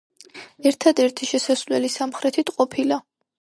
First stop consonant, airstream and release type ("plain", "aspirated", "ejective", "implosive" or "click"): aspirated